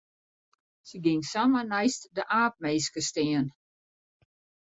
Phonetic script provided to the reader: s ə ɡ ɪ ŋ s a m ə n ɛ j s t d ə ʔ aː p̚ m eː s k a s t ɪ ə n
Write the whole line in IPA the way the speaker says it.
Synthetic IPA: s ə ɡ ɪ ŋ s a m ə n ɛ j s t d ə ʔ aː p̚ m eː s k ə s t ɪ ə n